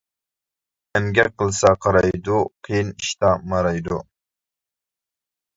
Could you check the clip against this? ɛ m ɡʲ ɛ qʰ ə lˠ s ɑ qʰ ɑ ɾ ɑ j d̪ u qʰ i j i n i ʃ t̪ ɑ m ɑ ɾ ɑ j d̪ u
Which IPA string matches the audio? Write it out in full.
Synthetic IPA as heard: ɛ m ɡʲ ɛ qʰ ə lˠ s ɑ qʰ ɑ ɾ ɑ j d̪ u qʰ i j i n i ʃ t̪ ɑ m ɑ ɾ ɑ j d̪ u

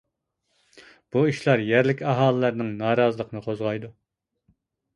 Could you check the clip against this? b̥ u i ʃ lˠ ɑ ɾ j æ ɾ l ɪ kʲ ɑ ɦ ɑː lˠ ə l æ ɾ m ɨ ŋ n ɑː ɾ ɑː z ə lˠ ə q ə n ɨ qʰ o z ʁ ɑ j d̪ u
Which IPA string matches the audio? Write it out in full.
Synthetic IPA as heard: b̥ u i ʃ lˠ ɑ ɾ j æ ɾ l ɪ kʲ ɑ ɦ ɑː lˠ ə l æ ɾ n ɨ ŋ n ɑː ɾ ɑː z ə lˠ ə q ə n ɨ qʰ o z ʁ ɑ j d̪ u

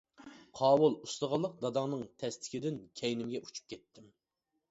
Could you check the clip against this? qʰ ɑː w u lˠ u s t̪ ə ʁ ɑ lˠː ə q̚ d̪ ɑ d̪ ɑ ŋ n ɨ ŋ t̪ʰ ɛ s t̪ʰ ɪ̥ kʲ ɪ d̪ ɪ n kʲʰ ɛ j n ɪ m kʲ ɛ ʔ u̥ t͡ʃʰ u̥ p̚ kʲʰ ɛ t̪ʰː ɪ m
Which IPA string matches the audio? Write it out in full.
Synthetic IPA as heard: qʰ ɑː w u lˠ u s t̪ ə ʁ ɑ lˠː ə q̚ d̪ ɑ d̪ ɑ ŋ n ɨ ŋ t̪ʰ ɛ s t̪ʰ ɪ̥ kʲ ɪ d̪ ɪ n kʲʰ ɛ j n ɪ m ɡʲ ɛ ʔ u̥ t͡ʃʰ u̥ p̚ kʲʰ ɛ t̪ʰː ɪ m

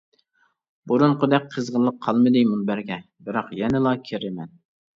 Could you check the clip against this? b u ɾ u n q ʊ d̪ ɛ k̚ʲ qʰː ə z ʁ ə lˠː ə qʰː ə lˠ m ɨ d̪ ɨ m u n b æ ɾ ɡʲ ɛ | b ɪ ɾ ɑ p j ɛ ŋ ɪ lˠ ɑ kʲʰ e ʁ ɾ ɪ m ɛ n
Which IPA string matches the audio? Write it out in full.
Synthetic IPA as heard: b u ɾ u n q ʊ d̪ ɛ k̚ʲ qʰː ə z ʁ ə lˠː ə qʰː ɑ lˠ m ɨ d̪ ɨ m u n b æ ɾ ɡʲ ɛ | b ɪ ɾ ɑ q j ɛ n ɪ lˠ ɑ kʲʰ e ɾ ɪ m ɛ n

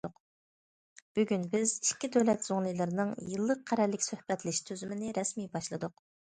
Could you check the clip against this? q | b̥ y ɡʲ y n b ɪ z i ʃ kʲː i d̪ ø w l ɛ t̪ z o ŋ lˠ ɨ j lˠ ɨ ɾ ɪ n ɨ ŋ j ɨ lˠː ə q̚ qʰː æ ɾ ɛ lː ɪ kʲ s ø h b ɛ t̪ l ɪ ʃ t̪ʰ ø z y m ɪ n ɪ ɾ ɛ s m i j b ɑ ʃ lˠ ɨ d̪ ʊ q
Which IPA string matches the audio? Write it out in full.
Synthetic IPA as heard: q | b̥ y ɡʲ y n b ɪ z i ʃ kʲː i d̪ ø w l ɛ t̪ z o ŋ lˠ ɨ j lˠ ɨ ɾ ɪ n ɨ ŋ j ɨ lˠː ə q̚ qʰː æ ɾ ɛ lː ɪ kʲ s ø h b ɛ t̪ l ɪ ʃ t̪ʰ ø z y m ɪ n ɪ ɾ ɛ s m i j b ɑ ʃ lˠ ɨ d̪ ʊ q

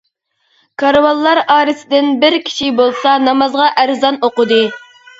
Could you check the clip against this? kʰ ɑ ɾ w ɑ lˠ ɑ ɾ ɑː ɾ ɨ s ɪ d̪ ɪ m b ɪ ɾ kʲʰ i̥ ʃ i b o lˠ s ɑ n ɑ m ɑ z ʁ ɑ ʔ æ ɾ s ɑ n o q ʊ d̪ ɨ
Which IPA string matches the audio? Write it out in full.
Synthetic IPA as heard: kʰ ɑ ɾ w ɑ lˠː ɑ ɾ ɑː ɾ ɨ s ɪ d̪ ɪ n b ɪ ɾ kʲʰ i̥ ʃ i b o lˠ s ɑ n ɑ m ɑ z ʁ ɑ ʔ æ ɾ z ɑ n o q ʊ d̪ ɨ

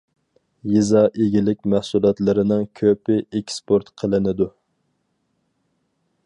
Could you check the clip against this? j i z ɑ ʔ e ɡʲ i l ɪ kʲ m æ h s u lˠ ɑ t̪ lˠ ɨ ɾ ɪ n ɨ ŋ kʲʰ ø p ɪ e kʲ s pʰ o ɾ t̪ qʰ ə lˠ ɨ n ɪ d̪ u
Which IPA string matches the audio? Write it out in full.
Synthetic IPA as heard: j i z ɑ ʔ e ɡʲ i l ɪ kʲ m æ h s u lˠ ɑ t̪ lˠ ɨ ɾ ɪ n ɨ ŋ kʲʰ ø p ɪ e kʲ s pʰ o ɾ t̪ qʰ ə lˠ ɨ n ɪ d̪ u

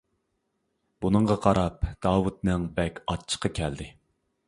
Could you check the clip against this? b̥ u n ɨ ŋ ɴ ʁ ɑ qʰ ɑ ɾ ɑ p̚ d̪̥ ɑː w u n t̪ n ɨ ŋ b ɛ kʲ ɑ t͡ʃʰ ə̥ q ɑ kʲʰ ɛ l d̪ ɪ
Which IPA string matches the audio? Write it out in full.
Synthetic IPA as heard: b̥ u n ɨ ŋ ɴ ʁ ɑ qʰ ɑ ɾ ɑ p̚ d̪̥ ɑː w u t̪ n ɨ ŋ b ɛ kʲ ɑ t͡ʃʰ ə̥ q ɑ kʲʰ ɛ l d̪ ɪ

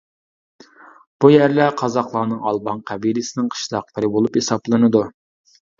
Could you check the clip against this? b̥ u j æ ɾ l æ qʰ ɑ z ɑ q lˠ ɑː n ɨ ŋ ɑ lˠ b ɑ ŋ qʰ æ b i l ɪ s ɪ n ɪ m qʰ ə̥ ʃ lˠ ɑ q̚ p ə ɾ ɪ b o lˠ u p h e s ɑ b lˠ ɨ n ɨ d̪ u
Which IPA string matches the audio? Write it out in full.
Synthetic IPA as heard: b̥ u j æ ɾ l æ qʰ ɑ z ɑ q lˠ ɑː n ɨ ŋ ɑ lˠ b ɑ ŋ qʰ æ b i l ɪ s ɪ n ɪ ŋ qʰ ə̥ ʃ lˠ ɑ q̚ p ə ɾ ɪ b o lˠ u p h e s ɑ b lˠ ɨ n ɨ d̪ u

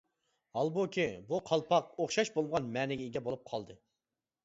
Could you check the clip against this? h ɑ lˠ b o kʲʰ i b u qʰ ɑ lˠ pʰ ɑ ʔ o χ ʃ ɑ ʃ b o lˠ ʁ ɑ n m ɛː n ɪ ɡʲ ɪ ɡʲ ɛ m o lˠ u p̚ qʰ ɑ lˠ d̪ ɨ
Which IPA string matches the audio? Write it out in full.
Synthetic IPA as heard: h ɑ lˠ b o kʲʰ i b u qʰ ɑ lˠ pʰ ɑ q o χ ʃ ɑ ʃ b o lˠ ʁ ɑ n m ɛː n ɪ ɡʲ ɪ ɡʲ ɛ b o lˠ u p̚ qʰ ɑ lˠ d̪ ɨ

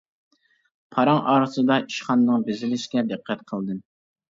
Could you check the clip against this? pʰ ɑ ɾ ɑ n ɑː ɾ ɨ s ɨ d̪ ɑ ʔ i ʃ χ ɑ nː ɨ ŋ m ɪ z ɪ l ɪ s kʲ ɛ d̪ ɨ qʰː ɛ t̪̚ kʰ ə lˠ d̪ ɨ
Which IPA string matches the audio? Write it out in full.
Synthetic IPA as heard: pʰ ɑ ɾ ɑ ŋ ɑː ɾ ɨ s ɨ d̪ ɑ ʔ i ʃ χ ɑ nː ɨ ŋ b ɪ z ɪ l ɪ ʃ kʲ ɛ d̪ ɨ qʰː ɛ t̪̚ qʰ ə lˠ d̪ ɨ

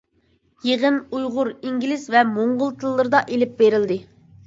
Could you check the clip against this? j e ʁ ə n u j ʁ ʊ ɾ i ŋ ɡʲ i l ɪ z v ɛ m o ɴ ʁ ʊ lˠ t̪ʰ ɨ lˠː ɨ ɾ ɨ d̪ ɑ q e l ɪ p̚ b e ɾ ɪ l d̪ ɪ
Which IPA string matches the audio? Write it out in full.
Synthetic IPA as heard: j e ʁ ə n u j ʁ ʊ ɾ i ŋ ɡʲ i l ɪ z v ɛ m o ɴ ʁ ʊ lˠ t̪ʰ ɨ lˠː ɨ ɾ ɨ d̪ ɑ ʔ e l ɪ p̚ b e ɾ ɪ l d̪ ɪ

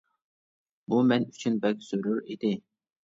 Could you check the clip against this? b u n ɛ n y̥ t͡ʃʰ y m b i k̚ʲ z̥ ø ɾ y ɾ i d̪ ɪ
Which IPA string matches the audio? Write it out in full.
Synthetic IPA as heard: b u m ɛ n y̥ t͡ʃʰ y n b ɛ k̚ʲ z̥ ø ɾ y ɾ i d̪ ɪ

